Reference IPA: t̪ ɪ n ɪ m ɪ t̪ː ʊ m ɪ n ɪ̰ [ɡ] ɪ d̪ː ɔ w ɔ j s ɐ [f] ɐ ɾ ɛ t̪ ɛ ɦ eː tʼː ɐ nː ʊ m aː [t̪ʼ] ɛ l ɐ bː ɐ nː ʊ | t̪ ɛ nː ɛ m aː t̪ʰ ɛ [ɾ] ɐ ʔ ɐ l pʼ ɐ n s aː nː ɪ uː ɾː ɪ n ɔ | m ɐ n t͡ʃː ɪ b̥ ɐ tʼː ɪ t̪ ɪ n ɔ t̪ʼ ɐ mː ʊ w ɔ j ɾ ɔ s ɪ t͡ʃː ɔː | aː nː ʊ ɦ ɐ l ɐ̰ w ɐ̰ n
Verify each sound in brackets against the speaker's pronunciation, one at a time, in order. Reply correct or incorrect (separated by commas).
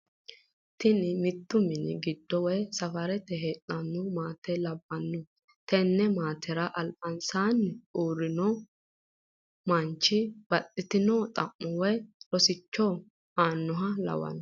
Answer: correct, correct, incorrect, correct